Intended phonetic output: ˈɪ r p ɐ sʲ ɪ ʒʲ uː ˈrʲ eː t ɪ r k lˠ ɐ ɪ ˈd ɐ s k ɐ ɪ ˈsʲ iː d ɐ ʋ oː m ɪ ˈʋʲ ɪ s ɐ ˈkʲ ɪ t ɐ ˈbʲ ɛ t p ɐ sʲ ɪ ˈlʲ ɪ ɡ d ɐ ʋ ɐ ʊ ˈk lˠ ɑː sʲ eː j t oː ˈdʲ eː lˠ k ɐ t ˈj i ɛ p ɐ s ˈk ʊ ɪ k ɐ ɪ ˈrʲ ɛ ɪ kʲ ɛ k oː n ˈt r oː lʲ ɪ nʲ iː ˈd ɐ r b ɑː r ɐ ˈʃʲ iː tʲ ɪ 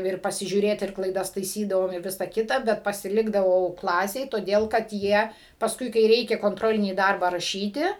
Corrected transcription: ˈɪ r p ɐ sʲ ɪ ʒʲ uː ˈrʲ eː t ɪ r k lˠ ɐ ɪ ˈd ɐ s t ɐ ɪ ˈsʲ iː d ɐ ʋ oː m ɪ ˈʋʲ ɪ s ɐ ˈkʲ ɪ t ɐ ˈbʲ ɛ t p ɐ sʲ ɪ ˈlʲ ɪ ɡ d ɐ ʋ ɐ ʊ ˈk lˠ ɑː sʲ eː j t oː ˈdʲ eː lˠ k ɐ t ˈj i ɛ p ɐ s ˈk ʊ ɪ k ɐ ɪ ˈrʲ ɛ ɪ kʲ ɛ k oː n ˈt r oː lʲ ɪ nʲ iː ˈd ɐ r b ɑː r ɐ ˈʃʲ iː tʲ ɪ